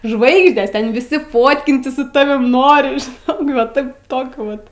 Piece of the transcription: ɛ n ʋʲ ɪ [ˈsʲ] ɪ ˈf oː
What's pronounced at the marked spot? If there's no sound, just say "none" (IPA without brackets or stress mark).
sʲ